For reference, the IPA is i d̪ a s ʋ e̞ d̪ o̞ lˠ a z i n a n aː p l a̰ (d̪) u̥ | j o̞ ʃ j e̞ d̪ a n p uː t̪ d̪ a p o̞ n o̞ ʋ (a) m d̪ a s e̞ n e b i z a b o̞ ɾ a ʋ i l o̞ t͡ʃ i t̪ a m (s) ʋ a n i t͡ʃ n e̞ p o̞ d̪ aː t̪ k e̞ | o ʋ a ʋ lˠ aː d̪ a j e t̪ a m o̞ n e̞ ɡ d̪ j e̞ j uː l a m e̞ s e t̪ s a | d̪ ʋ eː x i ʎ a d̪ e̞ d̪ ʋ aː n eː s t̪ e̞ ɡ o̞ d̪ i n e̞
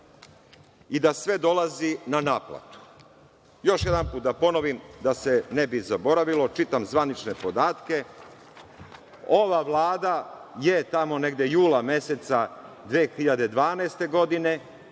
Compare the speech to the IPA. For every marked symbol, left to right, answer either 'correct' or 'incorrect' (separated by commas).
incorrect, incorrect, incorrect